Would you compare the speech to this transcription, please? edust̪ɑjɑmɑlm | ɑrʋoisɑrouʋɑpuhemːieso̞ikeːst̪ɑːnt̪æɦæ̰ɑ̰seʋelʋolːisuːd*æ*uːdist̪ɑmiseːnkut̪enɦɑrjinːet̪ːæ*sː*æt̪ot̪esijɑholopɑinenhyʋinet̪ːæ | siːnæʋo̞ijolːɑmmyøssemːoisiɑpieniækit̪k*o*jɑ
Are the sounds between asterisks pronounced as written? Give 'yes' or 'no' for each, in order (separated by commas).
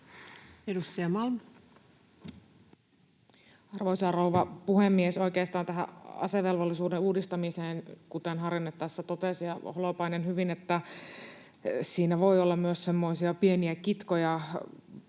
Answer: no, yes, yes